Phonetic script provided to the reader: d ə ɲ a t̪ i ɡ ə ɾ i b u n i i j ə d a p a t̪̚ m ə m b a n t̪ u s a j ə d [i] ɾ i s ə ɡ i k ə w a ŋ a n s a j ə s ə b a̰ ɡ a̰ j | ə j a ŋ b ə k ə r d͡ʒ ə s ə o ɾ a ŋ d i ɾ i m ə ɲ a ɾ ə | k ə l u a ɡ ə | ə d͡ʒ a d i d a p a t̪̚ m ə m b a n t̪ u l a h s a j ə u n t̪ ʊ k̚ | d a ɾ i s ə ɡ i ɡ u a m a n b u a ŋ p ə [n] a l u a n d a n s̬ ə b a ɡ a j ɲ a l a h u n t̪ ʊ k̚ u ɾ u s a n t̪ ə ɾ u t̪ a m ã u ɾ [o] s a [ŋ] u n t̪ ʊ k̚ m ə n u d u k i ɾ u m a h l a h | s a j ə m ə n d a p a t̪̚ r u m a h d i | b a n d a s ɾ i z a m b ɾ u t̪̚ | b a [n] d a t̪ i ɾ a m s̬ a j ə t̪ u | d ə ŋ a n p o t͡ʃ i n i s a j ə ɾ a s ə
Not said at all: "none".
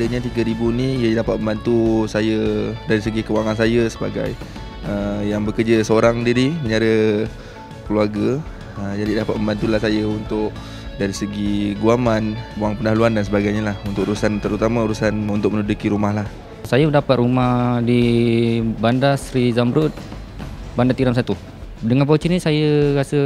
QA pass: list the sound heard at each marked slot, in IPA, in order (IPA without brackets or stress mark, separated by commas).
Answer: a, n, u, n, n